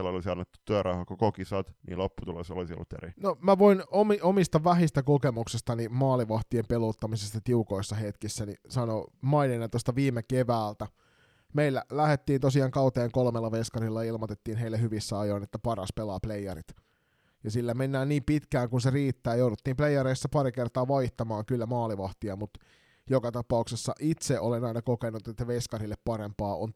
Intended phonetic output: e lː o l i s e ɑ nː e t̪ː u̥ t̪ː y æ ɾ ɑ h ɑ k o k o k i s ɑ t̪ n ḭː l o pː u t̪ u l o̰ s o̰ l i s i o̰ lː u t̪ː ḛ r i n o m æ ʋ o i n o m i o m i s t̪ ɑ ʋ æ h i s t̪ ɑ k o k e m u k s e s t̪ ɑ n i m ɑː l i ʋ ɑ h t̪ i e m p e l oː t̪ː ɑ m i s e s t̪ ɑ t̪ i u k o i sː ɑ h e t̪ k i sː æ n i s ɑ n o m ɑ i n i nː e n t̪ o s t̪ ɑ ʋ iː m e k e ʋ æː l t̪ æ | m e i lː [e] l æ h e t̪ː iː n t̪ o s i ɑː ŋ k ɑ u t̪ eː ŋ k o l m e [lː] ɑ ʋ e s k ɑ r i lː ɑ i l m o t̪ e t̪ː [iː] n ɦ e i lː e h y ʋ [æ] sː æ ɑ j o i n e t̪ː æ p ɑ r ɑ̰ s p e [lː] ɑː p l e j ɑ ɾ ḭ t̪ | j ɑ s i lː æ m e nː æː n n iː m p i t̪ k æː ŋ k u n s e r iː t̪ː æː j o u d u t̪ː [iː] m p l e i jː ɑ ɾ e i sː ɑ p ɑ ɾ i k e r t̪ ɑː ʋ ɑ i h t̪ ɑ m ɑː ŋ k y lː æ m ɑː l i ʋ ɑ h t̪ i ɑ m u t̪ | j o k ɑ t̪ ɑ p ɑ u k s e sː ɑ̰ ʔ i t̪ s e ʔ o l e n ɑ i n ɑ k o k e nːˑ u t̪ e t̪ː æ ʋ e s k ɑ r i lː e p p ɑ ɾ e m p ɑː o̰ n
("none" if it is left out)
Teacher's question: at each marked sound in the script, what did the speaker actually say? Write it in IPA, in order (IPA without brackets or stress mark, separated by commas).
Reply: æ, lː, iː, i, l, iː